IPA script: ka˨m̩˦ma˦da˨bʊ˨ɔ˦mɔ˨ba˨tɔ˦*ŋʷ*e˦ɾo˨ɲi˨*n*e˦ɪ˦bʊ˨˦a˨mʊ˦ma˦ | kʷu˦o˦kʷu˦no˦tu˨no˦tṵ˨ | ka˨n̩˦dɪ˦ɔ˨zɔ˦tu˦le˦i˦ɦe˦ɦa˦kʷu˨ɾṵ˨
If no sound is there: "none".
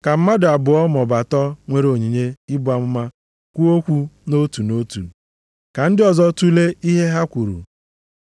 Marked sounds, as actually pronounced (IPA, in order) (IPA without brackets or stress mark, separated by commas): ŋʷ, ɲ